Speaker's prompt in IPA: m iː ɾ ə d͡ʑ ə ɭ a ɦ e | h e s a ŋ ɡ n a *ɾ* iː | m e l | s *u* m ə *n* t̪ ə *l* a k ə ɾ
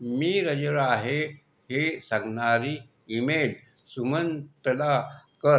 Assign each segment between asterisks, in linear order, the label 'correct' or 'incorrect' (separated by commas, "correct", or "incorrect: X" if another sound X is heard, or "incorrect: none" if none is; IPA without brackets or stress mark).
correct, correct, correct, correct